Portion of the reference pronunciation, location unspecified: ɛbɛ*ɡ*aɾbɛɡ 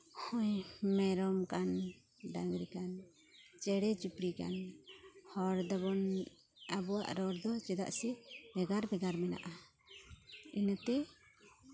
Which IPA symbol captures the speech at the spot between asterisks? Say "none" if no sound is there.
ɡ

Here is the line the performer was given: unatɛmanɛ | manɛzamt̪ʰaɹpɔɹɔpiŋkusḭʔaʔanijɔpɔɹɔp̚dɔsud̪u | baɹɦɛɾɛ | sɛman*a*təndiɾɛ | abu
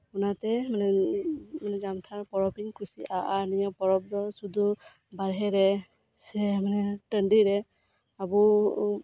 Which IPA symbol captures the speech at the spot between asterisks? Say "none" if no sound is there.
ɛ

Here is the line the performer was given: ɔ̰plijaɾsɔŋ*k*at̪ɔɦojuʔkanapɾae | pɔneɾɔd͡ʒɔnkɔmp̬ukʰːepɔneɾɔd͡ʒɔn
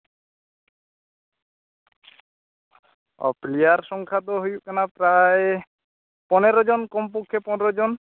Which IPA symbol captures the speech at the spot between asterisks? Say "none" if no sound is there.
kʰ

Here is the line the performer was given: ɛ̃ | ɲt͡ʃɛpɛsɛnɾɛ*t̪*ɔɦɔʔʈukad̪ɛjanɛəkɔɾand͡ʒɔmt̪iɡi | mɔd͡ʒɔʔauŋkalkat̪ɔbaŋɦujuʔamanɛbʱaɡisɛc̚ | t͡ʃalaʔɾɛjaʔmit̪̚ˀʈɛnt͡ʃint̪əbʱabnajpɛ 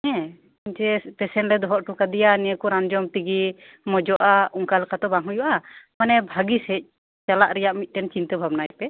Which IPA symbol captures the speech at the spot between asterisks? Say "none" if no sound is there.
d̪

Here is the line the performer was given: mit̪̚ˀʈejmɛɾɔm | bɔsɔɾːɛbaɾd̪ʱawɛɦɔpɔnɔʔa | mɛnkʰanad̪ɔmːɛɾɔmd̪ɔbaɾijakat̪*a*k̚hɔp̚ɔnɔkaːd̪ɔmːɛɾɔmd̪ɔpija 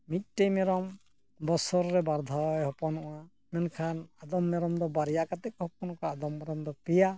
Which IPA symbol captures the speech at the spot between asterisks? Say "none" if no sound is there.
ɛ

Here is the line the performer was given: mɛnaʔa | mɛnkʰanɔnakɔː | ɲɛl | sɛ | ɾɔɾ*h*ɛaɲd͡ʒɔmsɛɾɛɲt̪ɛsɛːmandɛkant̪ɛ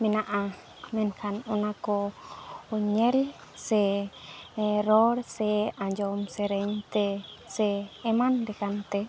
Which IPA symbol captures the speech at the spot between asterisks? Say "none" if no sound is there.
s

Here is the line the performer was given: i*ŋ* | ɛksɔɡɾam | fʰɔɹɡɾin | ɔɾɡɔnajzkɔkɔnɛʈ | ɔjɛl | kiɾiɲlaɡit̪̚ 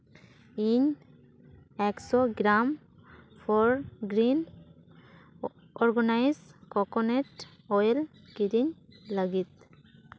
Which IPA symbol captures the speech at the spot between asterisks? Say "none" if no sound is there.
ɲ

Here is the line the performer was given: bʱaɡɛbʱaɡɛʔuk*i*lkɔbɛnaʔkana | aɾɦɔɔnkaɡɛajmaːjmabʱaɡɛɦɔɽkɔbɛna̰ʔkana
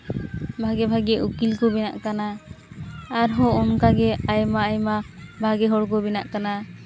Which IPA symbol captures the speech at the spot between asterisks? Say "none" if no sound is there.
i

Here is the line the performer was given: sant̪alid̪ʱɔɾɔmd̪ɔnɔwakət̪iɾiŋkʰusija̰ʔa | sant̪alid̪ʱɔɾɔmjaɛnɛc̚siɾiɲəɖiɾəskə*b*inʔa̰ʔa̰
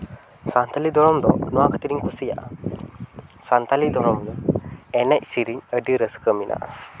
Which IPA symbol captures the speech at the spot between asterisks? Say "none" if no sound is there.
m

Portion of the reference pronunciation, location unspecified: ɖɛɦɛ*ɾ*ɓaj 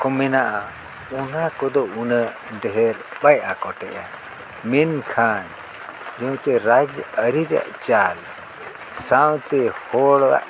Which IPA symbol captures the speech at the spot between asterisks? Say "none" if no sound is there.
ɾ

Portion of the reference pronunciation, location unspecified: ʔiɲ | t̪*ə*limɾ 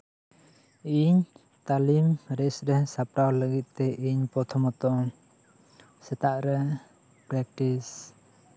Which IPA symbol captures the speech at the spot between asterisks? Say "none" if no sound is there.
a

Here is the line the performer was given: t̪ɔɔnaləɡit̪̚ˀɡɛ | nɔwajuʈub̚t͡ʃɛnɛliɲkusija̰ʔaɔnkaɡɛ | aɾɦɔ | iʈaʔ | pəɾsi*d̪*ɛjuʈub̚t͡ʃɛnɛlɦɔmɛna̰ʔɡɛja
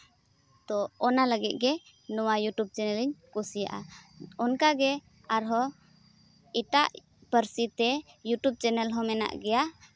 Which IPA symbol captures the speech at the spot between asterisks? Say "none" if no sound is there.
t̪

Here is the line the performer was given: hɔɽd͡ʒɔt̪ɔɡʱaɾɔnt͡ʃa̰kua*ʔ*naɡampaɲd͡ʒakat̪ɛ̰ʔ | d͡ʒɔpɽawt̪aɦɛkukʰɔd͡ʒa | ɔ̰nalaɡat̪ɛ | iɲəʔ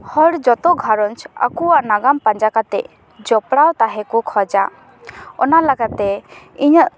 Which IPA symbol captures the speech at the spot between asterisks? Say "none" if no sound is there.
ʔ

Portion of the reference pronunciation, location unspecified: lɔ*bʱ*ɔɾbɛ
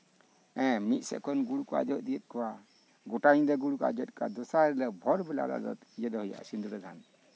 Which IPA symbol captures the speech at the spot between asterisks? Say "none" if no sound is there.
bʱ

